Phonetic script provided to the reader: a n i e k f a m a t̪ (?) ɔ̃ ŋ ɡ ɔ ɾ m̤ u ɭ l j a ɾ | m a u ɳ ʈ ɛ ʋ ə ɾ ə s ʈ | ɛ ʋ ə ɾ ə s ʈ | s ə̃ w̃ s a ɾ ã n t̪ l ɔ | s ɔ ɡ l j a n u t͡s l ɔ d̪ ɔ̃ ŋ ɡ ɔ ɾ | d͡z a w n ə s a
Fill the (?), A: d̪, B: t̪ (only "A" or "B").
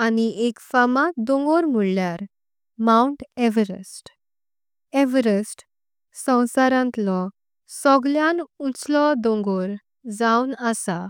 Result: A